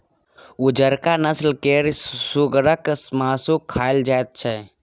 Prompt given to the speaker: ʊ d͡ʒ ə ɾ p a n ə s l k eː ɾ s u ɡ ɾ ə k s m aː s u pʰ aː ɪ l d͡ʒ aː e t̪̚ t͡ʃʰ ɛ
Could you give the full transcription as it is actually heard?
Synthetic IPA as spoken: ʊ d͡ʒ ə ɾ k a n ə s l k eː ɾ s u ɡ ɾ ə k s m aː s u kʰ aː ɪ l d͡ʒ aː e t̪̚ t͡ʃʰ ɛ